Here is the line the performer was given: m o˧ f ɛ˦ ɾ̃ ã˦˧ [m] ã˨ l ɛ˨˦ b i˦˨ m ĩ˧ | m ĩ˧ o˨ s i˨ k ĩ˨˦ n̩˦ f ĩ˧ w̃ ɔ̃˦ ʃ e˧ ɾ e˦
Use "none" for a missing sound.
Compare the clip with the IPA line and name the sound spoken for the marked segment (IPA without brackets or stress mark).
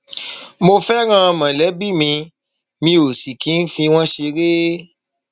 m